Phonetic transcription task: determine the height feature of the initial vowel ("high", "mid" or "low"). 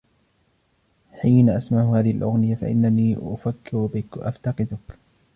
high